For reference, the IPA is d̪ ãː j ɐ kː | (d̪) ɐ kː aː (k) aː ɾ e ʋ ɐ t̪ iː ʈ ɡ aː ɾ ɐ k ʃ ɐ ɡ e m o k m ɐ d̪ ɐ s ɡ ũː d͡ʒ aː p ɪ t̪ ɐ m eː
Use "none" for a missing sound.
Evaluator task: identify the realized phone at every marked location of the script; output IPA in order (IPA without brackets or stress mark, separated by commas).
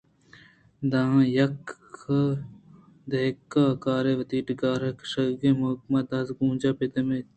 d̪, k